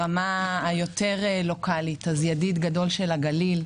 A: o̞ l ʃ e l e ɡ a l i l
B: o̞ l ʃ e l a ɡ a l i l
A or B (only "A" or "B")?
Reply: B